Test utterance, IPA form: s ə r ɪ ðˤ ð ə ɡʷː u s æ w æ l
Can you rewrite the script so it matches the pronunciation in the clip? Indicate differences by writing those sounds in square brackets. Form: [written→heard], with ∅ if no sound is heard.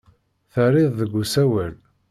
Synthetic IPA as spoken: [s→θ] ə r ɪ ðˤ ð ə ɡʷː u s æ w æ l